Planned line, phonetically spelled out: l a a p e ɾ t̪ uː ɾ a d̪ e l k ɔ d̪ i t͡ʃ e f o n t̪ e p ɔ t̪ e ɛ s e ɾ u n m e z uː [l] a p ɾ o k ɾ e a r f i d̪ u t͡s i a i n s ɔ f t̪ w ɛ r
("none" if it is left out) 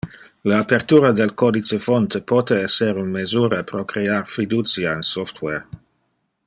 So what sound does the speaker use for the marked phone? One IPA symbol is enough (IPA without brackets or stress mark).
ɾ